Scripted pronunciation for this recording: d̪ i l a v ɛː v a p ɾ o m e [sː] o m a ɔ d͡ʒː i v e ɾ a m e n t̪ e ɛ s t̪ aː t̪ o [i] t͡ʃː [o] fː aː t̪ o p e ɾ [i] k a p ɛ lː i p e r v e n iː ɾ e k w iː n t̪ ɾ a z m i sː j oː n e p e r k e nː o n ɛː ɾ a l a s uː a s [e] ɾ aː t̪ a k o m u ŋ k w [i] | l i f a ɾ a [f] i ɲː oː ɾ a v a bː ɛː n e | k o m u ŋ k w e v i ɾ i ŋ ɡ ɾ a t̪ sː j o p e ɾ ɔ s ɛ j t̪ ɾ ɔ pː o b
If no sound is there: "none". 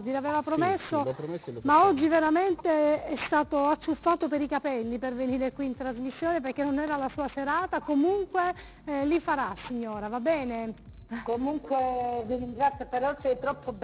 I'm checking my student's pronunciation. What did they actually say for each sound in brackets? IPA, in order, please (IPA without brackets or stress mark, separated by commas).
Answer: sː, a, u, i, e, e, s